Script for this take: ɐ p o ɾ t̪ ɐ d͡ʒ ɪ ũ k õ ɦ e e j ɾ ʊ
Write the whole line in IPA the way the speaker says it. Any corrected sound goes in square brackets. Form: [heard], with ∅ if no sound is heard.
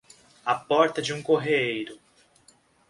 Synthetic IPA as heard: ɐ p [ɔ] ɾ t̪ ɐ d͡ʒ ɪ ũ k [o] ɦ e e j ɾ ʊ

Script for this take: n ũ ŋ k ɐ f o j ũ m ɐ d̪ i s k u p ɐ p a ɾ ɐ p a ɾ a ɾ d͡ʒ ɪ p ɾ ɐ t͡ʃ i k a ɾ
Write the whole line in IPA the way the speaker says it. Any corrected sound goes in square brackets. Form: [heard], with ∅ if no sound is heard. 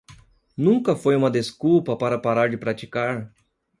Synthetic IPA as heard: n ũ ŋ k ɐ f o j ũ m ɐ d̪ [e] s k u p ɐ p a ɾ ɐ p a ɾ a ɾ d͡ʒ ɪ p ɾ [a] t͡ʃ i k a ɾ

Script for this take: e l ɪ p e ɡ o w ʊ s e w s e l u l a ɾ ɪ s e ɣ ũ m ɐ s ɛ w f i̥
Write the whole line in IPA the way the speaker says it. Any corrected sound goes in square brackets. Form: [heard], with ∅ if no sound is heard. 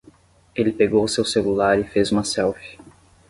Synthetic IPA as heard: e l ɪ p e ɡ o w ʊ s e w s e l u l a ɾ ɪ [f] e [z] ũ m ɐ s ɛ w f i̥

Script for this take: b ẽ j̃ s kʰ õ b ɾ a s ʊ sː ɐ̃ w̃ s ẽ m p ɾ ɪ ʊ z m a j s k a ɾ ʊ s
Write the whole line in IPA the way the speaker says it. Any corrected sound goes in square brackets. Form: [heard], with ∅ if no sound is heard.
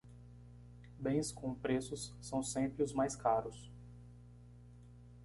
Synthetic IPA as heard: b ẽ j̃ s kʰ õ [p] ɾ [e] s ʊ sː ɐ̃ w̃ s ẽ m p ɾ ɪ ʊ z m a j s k a ɾ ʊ s

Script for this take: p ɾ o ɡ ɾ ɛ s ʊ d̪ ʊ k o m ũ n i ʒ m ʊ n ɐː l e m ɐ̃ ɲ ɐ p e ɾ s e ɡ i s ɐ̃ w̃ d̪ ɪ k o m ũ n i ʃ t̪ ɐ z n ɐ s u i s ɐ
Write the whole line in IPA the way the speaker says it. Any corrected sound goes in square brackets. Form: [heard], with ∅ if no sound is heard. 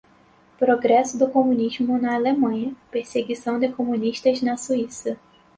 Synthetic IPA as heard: p ɾ o ɡ ɾ ɛ s ʊ d̪ ʊ k o m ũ n i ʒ m ʊ n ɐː l e m ɐ̃ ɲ ɐ p e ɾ s e ɡ i s ɐ̃ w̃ d̪ ɪ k o m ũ n i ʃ t̪ ɐ z n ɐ s u i s ɐ

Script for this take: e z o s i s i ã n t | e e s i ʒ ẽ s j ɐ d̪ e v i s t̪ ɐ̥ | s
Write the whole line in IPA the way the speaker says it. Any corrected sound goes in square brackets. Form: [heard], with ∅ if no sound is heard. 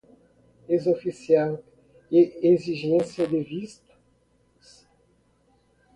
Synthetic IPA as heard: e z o [f] i s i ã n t | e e [z] i ʒ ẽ s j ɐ d̪ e v i s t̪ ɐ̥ | s

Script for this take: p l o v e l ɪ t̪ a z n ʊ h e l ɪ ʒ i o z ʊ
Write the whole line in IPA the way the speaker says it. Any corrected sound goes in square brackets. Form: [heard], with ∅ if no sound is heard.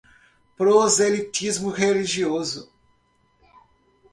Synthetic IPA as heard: p [ɾ] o [z] e l [i] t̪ [i] z [m] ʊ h e l [i] ʒ i o z ʊ

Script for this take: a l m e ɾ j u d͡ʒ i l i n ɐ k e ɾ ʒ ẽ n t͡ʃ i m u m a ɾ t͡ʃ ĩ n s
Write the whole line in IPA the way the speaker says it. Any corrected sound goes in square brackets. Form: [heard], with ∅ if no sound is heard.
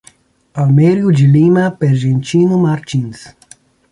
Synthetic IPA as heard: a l m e ɾ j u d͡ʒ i l i [m] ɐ [p] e ɾ ʒ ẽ n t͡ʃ i [n] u m a ɾ t͡ʃ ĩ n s

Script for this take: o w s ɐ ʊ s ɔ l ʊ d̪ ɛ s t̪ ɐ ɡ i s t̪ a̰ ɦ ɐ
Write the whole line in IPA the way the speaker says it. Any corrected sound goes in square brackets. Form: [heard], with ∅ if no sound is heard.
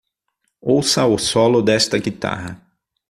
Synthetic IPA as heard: o w s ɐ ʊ s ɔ l ʊ d̪ ɛ s t̪ ɐ ɡ i [∅] t̪ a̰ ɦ ɐ

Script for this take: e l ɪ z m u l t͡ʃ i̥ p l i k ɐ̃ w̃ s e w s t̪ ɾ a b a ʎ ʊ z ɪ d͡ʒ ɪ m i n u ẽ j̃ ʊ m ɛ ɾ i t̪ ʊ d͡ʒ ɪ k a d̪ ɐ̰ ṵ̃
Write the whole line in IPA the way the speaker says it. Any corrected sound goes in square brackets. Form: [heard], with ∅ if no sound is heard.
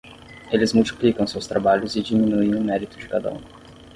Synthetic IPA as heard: e l ɪ z m u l t͡ʃ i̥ p l i k ɐ̃ w̃ s e w s t̪ ɾ a b a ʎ ʊ z ɪ d͡ʒ [i] m i n u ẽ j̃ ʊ m ɛ ɾ i t̪ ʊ d͡ʒ ɪ k a d̪ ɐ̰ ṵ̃

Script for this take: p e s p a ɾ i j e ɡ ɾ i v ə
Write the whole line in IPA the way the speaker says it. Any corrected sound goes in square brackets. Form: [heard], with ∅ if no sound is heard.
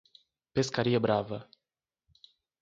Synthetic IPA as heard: p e s [k] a ɾ i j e [b] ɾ [a] v ə

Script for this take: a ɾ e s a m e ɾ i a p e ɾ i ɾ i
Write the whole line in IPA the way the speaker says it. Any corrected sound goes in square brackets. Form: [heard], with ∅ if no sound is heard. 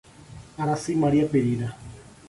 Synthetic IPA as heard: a ɾ [a] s [i] m [a] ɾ i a p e ɾ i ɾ [a]

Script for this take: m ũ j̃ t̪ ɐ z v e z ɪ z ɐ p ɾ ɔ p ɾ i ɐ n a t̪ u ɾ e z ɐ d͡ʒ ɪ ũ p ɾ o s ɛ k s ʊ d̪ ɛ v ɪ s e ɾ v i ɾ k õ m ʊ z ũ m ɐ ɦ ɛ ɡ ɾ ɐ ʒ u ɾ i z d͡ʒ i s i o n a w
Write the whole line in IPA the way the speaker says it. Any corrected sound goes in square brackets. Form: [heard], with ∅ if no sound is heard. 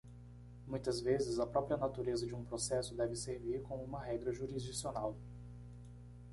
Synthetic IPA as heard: m ũ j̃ t̪ ɐ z v e z ɪ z ɐ p ɾ ɔ p ɾ i ɐ n a t̪ u ɾ e z ɐ d͡ʒ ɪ ũ p ɾ o s ɛ [∅] s ʊ d̪ ɛ v ɪ s e ɾ v i ɾ k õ m ʊ [∅] ũ m ɐ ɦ ɛ ɡ ɾ ɐ ʒ u ɾ i z d͡ʒ i s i o n a w

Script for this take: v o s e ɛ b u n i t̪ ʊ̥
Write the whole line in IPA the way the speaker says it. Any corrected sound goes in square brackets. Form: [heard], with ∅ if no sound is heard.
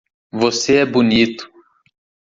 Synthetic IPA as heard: v o s e ɛ b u n i t̪ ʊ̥

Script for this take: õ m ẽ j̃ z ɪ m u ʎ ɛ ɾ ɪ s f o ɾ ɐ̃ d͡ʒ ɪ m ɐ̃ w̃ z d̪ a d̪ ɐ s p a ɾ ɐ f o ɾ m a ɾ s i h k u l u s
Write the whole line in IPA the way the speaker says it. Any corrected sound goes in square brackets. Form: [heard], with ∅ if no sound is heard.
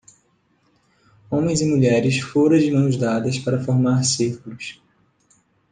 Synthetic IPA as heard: õ m ẽ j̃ z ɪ m u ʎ ɛ ɾ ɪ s f o ɾ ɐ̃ d͡ʒ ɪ m ɐ̃ w̃ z d̪ a d̪ ɐ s p a ɾ ɐ f o ɾ m a ɾ s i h k u l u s

